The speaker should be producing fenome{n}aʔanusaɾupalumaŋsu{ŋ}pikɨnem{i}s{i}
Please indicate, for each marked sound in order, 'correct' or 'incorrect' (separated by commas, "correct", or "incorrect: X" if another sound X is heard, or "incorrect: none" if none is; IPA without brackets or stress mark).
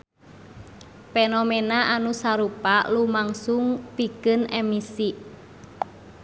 correct, correct, correct, correct